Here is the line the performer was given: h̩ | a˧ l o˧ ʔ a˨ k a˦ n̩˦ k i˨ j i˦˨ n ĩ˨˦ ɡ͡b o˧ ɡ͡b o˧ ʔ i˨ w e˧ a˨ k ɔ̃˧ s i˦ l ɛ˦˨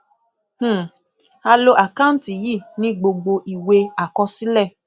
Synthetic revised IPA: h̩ | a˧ l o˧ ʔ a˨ k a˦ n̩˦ t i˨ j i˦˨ n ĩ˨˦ ɡ͡b o˧ ɡ͡b o˧ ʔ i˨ w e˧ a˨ k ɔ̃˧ s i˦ l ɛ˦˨